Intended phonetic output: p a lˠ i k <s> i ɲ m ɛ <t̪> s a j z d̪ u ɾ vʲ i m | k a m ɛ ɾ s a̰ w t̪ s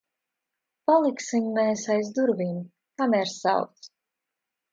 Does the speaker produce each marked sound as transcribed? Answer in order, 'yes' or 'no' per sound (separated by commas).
yes, no